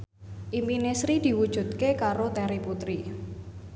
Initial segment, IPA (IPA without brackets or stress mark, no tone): ʔ